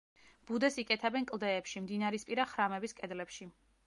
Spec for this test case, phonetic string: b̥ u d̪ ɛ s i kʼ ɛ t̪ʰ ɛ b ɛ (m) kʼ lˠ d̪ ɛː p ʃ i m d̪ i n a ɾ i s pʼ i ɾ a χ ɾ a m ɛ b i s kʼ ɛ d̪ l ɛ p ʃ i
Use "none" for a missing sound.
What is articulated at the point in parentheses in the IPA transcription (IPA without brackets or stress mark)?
n